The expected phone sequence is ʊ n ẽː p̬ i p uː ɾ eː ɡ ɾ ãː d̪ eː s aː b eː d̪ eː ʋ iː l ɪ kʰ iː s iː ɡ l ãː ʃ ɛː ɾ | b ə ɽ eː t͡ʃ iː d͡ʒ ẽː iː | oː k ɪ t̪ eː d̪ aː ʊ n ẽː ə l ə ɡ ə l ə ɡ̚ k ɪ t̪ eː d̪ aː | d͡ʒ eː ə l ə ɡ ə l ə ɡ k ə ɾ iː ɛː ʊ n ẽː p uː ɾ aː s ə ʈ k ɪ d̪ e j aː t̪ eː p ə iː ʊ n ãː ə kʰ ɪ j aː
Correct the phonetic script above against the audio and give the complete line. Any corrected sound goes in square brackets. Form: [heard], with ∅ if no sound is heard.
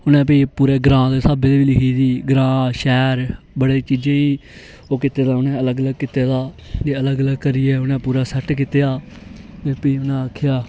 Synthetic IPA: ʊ n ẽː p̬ i p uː ɾ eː ɡ ɾ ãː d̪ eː s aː b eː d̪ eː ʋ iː l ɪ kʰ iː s iː ɡ [ɾ] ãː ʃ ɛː ɾ | b ə ɽ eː t͡ʃ iː d͡ʒ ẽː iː | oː k ɪ t̪ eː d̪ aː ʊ n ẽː ə l ə ɡ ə l ə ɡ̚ k ɪ t̪ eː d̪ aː | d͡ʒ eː ə l ə ɡ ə l ə ɡ k ə ɾ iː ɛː ʊ n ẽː p uː ɾ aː s ə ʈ k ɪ [t̪] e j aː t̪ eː p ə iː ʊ n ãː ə kʰ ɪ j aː